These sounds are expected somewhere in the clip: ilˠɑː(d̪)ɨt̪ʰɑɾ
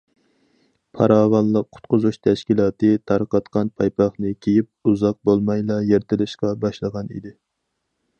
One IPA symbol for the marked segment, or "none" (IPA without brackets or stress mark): t̪